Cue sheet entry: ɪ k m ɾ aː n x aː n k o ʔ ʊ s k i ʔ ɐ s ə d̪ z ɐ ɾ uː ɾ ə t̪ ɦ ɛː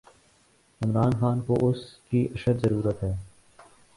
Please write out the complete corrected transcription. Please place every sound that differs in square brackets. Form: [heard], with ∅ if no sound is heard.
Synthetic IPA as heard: ɪ [∅] m ɾ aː n x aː n k o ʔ ʊ s k i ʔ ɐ [ʃ] ə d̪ z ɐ ɾ uː ɾ ə t̪ ɦ ɛː